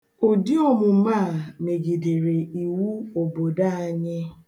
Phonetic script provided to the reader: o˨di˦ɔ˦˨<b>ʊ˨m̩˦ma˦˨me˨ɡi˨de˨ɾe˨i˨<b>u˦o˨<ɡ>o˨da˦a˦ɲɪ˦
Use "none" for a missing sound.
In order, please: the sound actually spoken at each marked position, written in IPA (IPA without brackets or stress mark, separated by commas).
m, w, b